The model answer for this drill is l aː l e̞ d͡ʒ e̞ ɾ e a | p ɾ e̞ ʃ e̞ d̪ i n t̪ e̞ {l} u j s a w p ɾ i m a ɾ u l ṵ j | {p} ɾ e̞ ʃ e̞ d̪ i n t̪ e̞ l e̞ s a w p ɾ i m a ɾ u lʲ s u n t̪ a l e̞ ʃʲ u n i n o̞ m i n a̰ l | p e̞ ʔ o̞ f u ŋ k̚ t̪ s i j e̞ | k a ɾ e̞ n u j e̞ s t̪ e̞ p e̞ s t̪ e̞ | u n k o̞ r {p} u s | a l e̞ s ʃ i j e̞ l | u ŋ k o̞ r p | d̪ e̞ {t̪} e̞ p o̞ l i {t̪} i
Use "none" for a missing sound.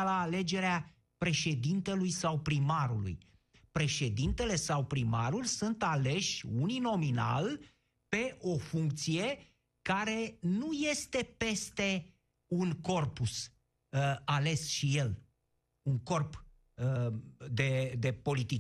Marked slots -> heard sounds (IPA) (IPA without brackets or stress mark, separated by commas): l, p, p, d̪, t̪